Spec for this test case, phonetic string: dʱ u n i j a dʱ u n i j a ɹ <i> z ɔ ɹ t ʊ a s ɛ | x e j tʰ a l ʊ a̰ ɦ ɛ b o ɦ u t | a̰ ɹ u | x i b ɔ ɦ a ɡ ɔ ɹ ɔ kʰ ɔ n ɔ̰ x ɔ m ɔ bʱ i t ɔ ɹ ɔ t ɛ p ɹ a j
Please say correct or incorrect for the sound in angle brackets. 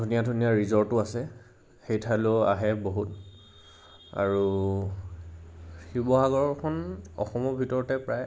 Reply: correct